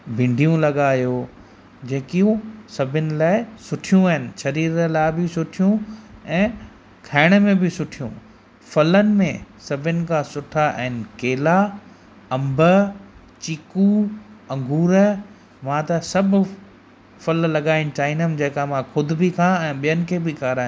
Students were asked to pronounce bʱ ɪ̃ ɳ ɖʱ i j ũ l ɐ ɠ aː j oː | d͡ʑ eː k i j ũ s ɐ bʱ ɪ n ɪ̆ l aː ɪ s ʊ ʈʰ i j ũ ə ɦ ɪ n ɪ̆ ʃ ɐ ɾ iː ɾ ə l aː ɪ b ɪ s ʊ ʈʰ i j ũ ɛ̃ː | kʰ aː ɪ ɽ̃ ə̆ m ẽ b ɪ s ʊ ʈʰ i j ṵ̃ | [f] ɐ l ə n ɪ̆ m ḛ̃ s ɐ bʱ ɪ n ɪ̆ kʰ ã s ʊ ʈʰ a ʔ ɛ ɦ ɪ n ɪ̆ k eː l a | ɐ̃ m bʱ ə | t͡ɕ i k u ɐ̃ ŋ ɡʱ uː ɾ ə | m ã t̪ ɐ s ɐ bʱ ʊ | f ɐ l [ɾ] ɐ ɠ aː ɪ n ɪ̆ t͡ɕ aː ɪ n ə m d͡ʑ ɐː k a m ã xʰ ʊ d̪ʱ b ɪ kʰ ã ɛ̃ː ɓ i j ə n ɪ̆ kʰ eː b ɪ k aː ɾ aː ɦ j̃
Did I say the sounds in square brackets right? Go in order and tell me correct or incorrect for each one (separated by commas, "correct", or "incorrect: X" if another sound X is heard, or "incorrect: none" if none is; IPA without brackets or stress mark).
correct, incorrect: l